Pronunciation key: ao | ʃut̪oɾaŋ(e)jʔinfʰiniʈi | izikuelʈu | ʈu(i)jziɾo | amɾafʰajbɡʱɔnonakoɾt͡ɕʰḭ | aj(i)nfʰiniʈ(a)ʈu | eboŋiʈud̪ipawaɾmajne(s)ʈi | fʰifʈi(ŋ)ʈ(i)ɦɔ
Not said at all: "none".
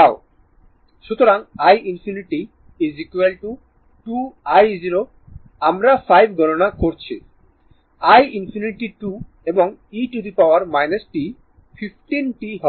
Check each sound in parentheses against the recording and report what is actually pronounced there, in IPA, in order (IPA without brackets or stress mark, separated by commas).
a, a, i, i, s, n, i